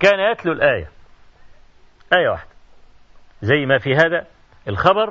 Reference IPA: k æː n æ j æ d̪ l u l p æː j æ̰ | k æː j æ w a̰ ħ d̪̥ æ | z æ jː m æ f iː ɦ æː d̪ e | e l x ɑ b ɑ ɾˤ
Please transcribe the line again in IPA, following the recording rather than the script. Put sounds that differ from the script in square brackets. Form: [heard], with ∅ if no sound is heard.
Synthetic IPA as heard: k æː n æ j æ [t̪] l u l [ʔ] æː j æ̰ | [ʔ] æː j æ w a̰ ħ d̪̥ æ | z æ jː m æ f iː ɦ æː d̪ [æ] | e l x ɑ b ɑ ɾˤ